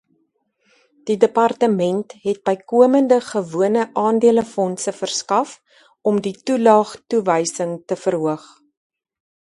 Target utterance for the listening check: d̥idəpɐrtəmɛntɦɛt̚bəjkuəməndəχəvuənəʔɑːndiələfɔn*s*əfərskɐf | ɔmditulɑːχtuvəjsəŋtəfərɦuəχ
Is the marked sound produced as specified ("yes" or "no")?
yes